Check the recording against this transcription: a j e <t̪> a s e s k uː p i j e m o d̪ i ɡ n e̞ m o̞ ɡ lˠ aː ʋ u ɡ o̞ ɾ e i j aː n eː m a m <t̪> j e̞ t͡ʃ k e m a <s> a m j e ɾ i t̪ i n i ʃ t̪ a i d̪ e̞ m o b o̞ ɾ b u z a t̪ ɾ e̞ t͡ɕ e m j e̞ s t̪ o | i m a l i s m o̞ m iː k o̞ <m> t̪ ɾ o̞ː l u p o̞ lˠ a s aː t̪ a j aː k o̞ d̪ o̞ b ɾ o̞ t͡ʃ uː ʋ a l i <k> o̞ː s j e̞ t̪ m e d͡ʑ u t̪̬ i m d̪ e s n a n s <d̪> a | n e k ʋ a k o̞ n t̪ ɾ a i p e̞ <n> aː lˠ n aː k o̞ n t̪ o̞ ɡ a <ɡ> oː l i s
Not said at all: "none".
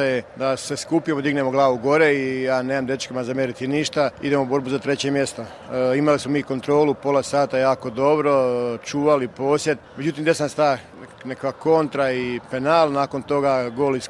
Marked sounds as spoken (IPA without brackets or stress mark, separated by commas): d̪, d̪, z, n, p, t̪, n, ɡ